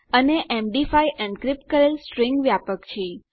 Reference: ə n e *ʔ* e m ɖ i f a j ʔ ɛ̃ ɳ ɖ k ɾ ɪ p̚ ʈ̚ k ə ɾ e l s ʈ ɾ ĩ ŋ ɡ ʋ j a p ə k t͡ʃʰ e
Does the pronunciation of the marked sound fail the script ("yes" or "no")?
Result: no